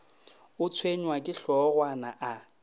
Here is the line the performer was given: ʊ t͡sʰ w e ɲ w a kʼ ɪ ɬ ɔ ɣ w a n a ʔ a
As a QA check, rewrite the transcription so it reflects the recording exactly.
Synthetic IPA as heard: ʊ t͡sʰ w e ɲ w a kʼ ɪ ɬ ɔ ɣ w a n a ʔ a